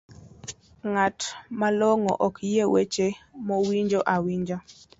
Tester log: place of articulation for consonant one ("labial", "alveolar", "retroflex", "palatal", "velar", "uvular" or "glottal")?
velar